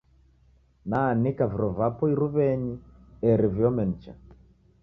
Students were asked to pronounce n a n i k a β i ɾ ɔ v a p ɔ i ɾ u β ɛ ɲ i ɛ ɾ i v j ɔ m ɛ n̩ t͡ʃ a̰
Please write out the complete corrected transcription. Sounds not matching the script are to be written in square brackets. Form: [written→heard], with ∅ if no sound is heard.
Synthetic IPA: n a n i k a [β→v] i ɾ ɔ v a p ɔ i ɾ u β ɛ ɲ i ɛ ɾ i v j ɔ m ɛ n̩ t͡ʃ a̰